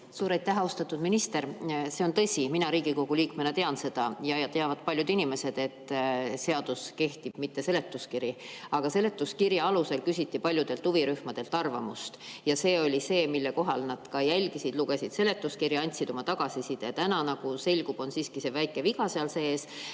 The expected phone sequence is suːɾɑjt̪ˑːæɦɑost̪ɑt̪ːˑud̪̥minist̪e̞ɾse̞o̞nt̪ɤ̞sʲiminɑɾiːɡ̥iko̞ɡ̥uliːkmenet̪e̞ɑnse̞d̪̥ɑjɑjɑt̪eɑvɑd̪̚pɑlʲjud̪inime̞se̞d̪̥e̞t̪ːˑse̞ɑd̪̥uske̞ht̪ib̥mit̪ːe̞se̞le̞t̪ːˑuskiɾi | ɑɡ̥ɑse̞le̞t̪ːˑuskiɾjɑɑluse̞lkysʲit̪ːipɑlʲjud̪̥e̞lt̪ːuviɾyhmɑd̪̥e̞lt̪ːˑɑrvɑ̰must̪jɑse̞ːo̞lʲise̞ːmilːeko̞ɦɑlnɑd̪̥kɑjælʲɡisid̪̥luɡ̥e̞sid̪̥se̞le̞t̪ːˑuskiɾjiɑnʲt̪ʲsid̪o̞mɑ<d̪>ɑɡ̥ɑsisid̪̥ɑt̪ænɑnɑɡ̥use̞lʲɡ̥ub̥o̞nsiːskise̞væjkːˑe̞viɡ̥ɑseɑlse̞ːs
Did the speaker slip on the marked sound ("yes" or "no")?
yes